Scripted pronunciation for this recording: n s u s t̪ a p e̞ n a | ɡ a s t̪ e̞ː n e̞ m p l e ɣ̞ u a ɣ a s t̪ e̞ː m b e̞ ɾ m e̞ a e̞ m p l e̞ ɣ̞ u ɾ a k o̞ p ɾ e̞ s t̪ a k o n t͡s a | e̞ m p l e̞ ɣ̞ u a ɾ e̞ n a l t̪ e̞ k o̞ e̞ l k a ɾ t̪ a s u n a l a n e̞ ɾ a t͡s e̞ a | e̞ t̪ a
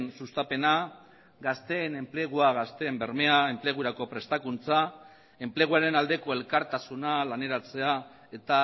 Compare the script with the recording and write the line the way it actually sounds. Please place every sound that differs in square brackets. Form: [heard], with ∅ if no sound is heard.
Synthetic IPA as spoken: n s u s t̪ a p e̞ n a | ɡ a s t̪ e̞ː n e̞ m p l e ɣ̞ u a ɣ a s t̪ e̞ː m b e̞ ɾ m e̞ a e̞ m p l e̞ ɣ̞ u ɾ a k o̞ p ɾ e̞ s t̪ a k [u] n t͡s a | e̞ m p l e̞ ɣ̞ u a ɾ e̞ n a l [d̪] e̞ k o̞ e̞ l k a ɾ t̪ a s u n a l a n e̞ ɾ a t͡s e̞ a | e̞ t̪ a